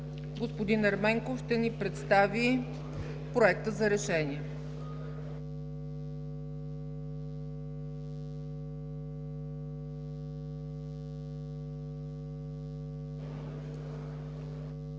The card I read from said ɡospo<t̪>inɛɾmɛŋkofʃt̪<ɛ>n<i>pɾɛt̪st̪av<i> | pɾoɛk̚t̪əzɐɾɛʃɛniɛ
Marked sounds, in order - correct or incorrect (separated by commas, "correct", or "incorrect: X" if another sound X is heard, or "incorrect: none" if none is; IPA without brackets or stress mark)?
incorrect: d̪, correct, correct, correct